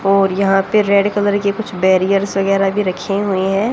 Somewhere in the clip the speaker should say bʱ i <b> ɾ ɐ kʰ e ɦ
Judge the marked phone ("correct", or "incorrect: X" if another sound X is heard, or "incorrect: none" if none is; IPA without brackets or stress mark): incorrect: none